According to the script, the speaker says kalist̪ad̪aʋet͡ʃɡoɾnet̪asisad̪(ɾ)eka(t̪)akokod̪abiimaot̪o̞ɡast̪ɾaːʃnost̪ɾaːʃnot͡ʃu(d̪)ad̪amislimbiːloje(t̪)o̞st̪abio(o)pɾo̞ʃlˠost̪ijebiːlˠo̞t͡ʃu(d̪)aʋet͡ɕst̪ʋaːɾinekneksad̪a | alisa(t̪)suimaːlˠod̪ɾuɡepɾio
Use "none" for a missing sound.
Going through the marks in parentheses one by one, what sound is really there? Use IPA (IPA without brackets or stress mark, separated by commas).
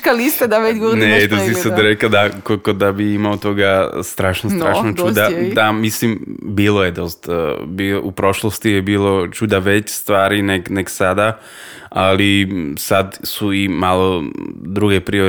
ɾ, d̪, d̪, d̪, u, d̪, d̪